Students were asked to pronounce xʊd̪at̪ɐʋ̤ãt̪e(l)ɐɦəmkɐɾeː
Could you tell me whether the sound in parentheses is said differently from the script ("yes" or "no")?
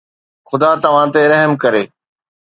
yes